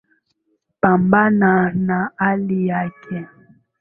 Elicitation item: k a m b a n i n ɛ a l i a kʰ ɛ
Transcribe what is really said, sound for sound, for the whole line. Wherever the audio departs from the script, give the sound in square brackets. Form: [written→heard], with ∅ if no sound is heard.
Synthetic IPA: [k→p] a m b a n [i→a] n [ɛ→a] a l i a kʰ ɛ

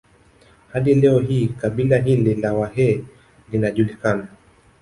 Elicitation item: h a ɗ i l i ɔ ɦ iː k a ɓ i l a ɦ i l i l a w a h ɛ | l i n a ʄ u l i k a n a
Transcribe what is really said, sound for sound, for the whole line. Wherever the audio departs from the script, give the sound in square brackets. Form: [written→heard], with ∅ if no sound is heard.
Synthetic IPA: h a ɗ i l [i→ɛ] ɔ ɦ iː k a ɓ i l a ɦ i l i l a w a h ɛ | l i n a ʄ u l i k a n a

